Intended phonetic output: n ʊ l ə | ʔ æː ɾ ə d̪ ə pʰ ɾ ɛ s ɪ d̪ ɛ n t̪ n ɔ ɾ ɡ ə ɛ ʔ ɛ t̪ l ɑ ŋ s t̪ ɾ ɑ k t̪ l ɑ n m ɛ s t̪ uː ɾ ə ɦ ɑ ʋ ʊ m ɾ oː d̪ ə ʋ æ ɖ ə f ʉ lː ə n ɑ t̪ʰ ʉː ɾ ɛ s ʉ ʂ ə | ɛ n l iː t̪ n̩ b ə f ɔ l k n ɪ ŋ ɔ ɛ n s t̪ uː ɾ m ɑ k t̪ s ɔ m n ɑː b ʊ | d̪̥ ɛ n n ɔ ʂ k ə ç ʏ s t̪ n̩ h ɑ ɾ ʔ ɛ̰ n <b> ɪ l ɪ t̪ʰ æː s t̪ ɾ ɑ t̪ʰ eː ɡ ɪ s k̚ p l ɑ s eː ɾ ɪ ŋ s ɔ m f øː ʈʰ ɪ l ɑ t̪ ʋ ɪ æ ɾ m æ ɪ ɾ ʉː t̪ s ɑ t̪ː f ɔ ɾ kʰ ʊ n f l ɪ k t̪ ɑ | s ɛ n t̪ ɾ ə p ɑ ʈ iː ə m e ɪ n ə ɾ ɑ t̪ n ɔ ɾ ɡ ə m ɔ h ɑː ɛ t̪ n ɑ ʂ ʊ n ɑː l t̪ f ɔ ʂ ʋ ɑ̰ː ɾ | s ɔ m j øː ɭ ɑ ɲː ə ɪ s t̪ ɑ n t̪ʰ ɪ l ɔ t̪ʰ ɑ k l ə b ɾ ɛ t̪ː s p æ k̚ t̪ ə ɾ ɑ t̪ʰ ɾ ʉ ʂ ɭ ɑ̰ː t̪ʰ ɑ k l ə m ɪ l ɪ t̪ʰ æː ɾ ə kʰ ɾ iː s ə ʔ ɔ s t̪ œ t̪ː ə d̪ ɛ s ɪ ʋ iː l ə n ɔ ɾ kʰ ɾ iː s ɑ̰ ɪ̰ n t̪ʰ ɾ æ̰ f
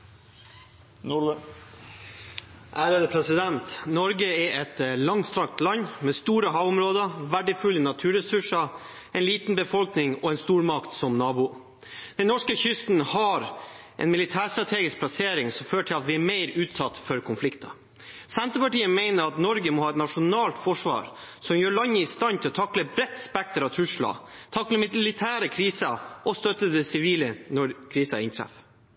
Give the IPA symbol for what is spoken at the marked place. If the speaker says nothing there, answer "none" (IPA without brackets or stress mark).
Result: m